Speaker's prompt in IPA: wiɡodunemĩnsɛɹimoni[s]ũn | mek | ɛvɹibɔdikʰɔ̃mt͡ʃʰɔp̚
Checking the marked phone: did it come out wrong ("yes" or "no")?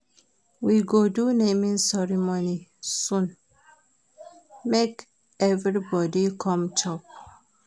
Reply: no